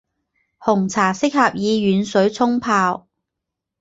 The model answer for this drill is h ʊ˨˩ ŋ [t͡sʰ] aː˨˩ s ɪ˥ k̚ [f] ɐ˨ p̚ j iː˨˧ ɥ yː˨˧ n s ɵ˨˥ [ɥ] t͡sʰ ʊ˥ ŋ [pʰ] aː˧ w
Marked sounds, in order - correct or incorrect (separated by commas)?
correct, incorrect, correct, correct